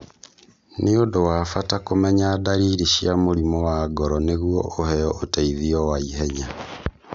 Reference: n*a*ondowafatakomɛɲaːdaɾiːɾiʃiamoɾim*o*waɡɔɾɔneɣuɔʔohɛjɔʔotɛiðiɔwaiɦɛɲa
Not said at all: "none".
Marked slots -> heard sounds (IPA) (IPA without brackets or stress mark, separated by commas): e, ɔ